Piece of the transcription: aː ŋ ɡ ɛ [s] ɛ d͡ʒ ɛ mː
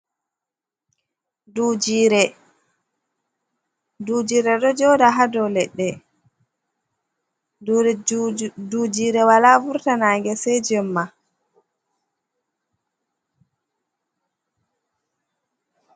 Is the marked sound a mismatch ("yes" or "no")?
no